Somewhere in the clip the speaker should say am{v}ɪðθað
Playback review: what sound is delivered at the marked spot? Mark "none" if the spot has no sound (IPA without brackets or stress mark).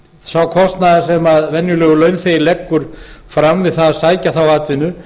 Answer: v